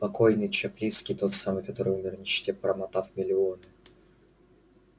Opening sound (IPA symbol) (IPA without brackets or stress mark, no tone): p